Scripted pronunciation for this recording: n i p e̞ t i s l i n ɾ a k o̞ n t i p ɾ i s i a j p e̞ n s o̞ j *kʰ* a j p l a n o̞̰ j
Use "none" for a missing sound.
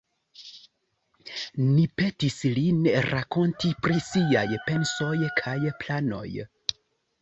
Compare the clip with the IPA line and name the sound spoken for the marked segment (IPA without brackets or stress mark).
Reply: kʰ